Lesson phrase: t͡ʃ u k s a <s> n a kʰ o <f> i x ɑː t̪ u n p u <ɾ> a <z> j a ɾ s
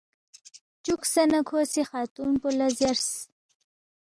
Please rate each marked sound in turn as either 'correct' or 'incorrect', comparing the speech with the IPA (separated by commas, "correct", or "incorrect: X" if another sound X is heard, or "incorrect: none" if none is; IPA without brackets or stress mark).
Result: incorrect: none, incorrect: s, incorrect: l, correct